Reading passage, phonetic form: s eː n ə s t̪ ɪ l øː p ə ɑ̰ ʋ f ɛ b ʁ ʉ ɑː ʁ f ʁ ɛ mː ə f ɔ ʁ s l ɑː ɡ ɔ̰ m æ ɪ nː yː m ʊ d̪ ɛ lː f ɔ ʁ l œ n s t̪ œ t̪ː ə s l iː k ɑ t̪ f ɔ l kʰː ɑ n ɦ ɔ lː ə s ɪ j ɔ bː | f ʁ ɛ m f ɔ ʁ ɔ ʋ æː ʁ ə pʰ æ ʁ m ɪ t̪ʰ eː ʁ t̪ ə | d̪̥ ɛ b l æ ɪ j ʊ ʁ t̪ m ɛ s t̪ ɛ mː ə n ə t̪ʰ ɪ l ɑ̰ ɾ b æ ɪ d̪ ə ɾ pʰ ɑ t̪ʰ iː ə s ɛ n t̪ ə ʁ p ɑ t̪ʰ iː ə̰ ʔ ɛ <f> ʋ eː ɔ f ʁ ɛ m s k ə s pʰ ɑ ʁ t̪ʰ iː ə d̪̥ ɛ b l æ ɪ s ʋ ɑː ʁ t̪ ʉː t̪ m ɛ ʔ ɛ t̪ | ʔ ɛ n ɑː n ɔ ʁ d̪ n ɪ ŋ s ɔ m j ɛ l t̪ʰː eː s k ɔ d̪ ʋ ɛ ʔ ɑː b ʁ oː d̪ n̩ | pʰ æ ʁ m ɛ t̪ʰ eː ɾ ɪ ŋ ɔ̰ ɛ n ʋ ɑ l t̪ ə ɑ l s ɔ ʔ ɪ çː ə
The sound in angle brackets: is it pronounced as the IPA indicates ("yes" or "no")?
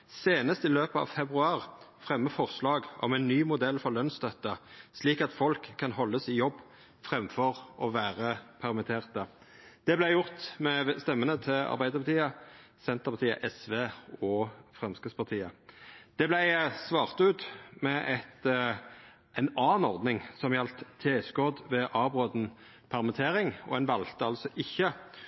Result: no